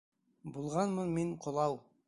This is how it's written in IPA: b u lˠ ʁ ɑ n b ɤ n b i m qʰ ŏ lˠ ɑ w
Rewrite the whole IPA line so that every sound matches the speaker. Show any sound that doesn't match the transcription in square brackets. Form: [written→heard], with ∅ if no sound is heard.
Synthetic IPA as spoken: b u lˠ ʁ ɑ n [b→m] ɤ n [b→m] i [m→ɴ] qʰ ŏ lˠ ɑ w